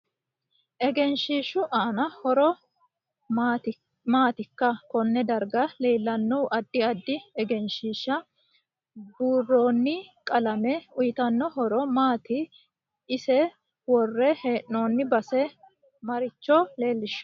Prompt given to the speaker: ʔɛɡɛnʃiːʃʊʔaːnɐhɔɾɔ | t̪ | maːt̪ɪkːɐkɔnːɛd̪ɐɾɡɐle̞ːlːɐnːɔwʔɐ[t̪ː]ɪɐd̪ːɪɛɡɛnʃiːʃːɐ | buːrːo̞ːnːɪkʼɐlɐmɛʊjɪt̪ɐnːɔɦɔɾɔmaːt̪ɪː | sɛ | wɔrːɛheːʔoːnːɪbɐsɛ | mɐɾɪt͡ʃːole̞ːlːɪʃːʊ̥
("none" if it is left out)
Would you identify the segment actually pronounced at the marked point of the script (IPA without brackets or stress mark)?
d̪ː